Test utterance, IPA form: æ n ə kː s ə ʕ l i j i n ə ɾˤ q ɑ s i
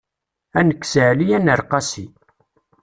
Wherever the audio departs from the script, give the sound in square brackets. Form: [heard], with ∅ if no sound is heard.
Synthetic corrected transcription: æ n ə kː s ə ʕ l i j [æ] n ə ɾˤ q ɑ s i